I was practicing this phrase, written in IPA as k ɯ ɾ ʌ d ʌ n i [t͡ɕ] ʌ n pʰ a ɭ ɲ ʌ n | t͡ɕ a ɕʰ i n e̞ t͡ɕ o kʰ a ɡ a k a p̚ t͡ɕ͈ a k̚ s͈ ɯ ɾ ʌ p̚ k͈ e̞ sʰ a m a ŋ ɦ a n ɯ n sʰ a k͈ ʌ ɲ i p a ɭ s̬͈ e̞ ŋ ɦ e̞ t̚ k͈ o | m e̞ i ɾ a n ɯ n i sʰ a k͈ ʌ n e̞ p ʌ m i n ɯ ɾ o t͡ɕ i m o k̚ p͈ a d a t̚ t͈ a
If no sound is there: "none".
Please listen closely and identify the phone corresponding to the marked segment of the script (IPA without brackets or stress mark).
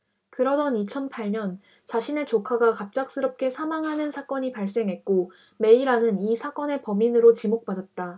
t͡ɕʰ